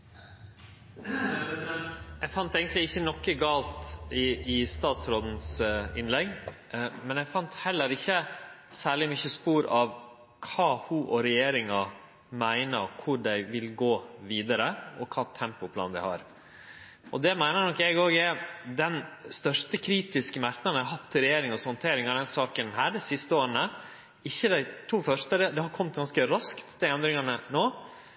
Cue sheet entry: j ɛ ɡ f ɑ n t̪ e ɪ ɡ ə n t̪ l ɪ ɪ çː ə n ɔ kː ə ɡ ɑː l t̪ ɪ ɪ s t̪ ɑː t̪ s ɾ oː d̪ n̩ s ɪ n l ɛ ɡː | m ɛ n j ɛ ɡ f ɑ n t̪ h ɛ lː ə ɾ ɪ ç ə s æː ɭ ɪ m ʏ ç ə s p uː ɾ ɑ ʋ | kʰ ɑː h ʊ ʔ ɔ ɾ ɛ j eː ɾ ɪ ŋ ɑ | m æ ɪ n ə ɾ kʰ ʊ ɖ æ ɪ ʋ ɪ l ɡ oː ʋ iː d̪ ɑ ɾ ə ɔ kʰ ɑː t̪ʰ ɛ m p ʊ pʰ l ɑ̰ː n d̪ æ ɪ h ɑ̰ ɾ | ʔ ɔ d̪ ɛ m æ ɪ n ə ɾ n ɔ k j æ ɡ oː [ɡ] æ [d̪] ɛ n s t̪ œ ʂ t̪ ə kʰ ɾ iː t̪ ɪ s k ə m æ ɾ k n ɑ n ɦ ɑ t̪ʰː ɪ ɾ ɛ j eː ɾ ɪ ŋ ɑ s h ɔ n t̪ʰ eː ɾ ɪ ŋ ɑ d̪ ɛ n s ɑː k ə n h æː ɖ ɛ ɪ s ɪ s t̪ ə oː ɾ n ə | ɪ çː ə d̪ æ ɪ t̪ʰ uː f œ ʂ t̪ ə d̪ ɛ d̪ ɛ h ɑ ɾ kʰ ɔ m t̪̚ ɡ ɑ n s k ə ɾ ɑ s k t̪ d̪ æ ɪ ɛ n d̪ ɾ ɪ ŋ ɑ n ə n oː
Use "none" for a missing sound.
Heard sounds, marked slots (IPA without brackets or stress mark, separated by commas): ɡ, d̪